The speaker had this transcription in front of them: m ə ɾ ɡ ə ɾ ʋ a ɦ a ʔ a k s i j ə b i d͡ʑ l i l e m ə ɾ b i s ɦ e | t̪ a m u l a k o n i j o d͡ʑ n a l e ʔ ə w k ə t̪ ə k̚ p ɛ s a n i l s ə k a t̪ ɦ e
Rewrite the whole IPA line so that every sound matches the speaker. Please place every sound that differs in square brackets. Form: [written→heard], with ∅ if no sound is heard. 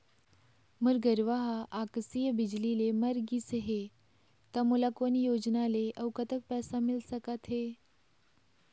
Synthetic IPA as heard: m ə ɾ ɡ ə ɾ ʋ a ɦ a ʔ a k s i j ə b i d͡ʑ l i l e m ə ɾ [b→ɡ] i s ɦ e | t̪ a m u l a k o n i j o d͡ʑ n a l e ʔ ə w k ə t̪ ə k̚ p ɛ s a [n→m] i l s ə k a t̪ ɦ e

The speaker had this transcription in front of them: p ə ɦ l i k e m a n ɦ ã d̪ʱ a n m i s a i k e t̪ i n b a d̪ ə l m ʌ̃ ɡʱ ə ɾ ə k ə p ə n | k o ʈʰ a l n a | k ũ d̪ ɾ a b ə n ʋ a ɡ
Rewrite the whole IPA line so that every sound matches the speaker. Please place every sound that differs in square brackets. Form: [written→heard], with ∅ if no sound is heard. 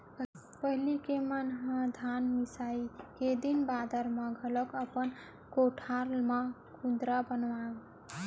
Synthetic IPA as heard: p ə ɦ l i k e m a n ɦ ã d̪ʱ a n m i s a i k e [t̪→d̪] i n b a d̪ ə [l→ɾ] m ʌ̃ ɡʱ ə [ɾ→l] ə k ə p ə n | k o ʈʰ a l [n→m] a | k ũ d̪ ɾ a b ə n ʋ a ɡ

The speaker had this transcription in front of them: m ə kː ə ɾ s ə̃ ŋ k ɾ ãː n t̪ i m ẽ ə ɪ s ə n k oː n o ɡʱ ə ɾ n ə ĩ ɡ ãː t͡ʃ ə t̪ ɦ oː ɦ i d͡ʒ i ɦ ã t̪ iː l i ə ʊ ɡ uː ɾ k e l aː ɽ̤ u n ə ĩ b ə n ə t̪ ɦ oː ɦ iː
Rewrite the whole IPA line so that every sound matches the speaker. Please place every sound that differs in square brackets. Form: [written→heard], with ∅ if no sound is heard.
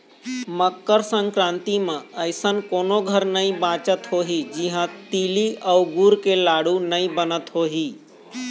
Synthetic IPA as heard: m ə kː ə ɾ s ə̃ ŋ k ɾ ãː n t̪ i m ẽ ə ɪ s ə n k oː n o ɡʱ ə ɾ n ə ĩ [ɡ→b] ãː t͡ʃ ə t̪ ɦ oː ɦ i d͡ʒ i ɦ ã t̪ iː l i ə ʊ ɡ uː ɾ k e l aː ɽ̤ u n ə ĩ b ə n ə t̪ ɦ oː ɦ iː

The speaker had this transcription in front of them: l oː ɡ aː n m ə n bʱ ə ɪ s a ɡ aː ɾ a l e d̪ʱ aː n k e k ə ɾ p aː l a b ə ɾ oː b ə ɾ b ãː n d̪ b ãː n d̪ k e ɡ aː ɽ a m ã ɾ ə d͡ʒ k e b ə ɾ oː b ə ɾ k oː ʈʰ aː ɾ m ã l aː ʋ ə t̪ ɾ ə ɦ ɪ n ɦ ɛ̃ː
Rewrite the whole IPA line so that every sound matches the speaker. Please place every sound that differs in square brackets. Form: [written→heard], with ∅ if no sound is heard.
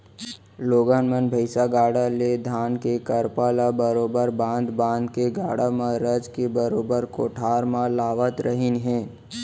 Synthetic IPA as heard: l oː ɡ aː n m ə n bʱ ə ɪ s a ɡ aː [ɾ→ɽ] a l e d̪ʱ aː n k e k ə ɾ p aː l a b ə ɾ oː b ə ɾ b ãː n d̪ b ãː n d̪ k e ɡ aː ɽ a m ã ɾ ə d͡ʒ k e b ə ɾ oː b ə ɾ k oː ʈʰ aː ɾ m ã l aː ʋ ə t̪ ɾ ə ɦ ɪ n ɦ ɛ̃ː

